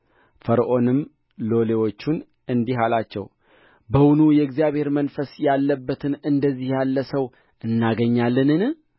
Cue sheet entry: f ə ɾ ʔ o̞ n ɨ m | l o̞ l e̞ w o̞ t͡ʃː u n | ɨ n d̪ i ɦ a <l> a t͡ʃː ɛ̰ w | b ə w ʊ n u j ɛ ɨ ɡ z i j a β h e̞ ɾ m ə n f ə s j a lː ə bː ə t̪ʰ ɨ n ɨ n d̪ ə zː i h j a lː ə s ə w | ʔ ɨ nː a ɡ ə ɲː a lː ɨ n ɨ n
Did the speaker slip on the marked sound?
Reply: no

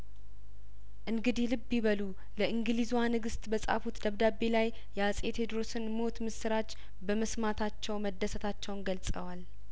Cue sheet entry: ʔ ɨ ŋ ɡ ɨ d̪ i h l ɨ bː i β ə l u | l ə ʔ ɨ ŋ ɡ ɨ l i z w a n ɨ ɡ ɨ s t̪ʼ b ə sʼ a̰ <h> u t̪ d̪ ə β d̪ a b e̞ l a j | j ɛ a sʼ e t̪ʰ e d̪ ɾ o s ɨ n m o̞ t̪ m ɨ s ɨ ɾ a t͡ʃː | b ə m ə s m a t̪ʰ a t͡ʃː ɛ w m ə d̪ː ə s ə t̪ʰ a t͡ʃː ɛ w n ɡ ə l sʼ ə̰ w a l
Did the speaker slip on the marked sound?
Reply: yes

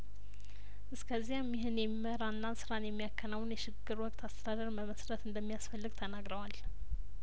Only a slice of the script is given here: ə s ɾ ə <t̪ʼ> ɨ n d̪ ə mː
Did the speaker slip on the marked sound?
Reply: yes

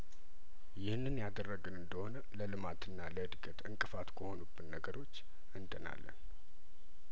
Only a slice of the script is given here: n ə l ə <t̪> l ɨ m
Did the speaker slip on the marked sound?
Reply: yes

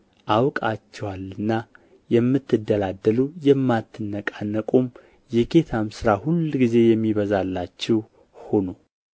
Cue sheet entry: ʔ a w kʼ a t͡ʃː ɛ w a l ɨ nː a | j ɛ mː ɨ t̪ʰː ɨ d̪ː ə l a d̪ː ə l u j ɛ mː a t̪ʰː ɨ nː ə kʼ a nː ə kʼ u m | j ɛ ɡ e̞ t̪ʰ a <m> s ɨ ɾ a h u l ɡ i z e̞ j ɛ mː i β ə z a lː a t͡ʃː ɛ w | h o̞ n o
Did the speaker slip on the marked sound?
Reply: no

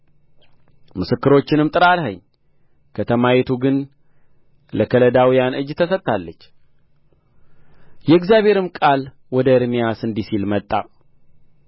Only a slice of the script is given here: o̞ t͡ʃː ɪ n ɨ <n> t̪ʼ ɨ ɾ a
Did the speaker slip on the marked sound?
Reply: yes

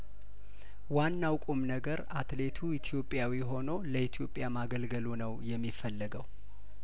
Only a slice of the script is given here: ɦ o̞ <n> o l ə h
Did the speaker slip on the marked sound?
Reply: no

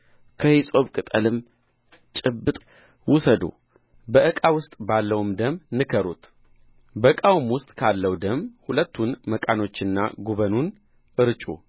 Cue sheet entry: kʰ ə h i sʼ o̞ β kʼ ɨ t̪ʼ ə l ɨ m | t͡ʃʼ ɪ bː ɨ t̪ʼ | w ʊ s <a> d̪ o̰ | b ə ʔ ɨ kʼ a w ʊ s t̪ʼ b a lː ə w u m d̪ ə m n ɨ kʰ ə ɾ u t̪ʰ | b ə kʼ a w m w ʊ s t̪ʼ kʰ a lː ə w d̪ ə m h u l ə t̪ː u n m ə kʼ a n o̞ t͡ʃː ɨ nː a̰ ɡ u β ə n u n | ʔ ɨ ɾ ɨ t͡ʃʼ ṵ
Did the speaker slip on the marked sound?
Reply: yes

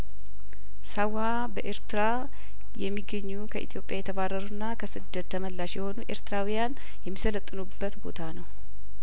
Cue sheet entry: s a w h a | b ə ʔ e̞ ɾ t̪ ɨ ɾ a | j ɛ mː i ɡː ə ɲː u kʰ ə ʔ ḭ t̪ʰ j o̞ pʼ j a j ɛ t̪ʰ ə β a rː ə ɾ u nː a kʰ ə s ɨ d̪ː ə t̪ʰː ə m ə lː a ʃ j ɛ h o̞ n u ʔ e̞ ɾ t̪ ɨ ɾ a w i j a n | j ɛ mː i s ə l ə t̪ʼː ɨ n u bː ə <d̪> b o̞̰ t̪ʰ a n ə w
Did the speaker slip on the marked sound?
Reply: yes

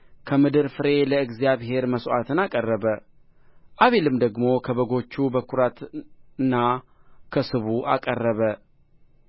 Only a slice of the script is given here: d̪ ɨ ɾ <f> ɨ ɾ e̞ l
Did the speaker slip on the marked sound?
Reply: no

